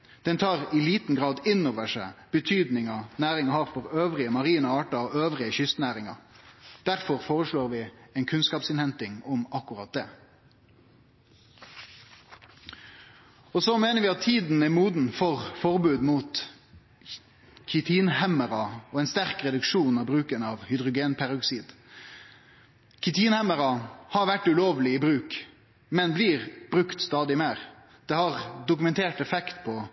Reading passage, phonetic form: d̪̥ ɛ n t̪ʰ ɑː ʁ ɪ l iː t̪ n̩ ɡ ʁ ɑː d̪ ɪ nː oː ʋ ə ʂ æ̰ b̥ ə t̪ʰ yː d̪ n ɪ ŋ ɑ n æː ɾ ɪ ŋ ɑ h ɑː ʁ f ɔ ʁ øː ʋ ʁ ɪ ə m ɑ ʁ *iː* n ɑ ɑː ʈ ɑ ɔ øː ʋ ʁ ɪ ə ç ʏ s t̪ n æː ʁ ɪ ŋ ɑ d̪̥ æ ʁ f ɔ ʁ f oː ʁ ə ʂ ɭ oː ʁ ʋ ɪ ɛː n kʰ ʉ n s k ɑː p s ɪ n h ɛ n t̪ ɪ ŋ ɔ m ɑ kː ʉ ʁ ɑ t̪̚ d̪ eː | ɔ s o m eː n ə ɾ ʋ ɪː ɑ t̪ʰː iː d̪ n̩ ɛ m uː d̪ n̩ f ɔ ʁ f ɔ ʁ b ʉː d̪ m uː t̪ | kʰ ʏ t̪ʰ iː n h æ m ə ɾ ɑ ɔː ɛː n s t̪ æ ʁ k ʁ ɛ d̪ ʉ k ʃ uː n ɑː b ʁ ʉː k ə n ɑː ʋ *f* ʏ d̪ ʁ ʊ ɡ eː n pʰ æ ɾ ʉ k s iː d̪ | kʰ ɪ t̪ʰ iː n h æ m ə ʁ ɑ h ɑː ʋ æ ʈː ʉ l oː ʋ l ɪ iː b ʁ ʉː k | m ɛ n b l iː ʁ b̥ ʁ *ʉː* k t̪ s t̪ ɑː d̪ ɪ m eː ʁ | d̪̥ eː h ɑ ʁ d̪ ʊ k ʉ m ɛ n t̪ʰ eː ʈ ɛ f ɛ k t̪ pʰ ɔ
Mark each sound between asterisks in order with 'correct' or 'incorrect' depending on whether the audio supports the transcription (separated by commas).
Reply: correct, incorrect, incorrect